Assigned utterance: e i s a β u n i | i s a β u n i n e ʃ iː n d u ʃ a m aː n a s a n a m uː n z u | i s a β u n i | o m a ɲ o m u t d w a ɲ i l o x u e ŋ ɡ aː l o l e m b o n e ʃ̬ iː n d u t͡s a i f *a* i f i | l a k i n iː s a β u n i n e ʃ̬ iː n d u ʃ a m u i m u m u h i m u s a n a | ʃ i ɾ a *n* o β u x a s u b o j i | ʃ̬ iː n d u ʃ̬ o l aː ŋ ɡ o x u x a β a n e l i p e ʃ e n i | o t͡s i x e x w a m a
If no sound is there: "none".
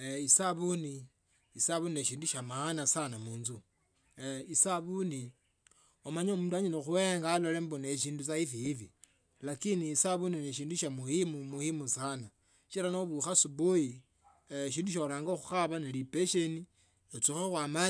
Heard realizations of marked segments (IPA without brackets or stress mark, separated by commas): i, n